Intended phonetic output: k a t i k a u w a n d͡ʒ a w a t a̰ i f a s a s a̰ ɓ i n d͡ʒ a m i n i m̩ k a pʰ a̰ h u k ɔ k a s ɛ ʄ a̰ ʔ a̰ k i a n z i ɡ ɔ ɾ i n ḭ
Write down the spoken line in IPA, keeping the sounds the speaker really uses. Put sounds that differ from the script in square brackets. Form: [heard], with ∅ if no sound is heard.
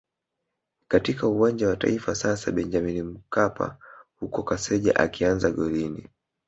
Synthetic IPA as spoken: k a t i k a u w a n d͡ʒ a w a t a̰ i f a s a s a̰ ɓ [ɛ] n d͡ʒ a m i n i m̩ k a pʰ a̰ h u k ɔ k a s ɛ ʄ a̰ ʔ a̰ k i a n z [a] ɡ ɔ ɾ i n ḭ